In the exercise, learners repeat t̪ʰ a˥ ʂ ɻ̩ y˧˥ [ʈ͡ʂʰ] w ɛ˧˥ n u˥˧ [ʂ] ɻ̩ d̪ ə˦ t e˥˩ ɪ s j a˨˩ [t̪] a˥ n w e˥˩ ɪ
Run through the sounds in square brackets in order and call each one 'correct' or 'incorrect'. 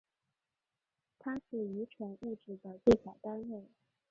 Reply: correct, incorrect: ʈ͡ʂ, correct

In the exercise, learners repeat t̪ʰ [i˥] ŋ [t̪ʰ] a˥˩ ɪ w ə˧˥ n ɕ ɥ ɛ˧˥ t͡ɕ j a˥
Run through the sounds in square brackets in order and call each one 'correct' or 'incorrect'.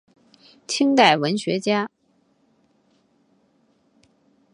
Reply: correct, incorrect: t̪

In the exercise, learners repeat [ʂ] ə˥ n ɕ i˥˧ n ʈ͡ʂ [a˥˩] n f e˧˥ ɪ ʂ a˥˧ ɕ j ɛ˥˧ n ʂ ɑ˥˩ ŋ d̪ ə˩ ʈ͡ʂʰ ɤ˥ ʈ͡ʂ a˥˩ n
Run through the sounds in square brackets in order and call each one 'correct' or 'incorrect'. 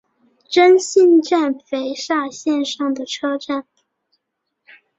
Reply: incorrect: ʈ͡ʂ, correct

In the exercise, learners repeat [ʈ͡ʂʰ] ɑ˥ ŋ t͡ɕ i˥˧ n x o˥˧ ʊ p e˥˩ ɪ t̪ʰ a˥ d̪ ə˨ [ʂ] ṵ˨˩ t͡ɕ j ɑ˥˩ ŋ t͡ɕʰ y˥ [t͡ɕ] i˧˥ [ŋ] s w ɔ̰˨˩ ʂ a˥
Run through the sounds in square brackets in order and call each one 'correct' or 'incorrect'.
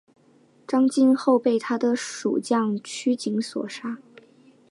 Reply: incorrect: ʈ͡ʂ, correct, correct, correct

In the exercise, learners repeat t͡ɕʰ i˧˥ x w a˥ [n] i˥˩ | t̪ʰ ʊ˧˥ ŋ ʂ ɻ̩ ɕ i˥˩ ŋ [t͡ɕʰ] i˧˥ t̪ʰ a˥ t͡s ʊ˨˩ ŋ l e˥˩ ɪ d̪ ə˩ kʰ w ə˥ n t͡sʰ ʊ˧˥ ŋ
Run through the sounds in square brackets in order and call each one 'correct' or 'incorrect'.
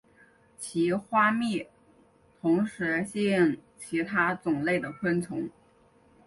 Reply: incorrect: m, correct

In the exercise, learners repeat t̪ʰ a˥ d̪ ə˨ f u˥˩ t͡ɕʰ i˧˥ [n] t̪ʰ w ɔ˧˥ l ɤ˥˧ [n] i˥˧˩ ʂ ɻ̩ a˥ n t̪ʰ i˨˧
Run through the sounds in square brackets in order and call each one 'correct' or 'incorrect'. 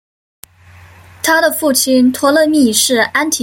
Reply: correct, incorrect: m

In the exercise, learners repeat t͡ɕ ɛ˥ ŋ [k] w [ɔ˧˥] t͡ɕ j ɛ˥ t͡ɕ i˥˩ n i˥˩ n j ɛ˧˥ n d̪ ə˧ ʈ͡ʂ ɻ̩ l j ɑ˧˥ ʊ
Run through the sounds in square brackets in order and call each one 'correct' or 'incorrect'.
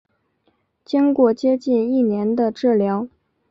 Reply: correct, incorrect: ɔ˥˩

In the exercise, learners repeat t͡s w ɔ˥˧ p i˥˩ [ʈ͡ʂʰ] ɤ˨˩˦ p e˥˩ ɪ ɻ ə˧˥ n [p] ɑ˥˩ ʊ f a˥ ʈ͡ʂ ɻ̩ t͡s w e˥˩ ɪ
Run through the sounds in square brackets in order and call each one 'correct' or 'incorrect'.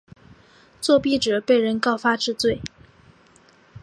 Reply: incorrect: ʈ͡ʂ, incorrect: k

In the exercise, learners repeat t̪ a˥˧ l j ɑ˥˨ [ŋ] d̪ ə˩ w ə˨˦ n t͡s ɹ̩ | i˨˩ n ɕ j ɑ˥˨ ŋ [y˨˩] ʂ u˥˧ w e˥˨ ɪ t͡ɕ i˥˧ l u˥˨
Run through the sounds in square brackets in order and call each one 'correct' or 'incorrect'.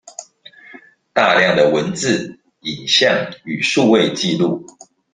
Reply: correct, correct

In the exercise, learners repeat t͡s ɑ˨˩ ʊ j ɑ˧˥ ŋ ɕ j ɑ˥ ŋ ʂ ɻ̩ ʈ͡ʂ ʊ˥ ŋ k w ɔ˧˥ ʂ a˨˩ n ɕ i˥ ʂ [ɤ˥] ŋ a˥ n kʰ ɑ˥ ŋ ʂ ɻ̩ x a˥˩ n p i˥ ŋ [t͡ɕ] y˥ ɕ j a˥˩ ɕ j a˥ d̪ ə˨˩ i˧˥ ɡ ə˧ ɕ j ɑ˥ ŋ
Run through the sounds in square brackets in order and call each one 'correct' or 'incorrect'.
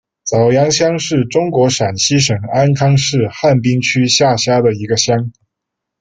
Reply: incorrect: ɤ˨˩, incorrect: t͡ɕʰ

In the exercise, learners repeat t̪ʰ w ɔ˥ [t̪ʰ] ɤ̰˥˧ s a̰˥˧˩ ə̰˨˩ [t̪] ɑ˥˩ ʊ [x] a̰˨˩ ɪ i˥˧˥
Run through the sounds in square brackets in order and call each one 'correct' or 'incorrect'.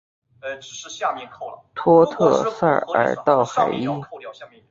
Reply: correct, correct, correct

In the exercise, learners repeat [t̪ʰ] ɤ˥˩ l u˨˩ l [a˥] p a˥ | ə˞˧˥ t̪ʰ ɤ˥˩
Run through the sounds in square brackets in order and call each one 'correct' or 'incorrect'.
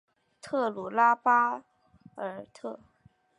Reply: correct, correct

